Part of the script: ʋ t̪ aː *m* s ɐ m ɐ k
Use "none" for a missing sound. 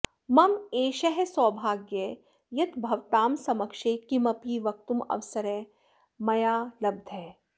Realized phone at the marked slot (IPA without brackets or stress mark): m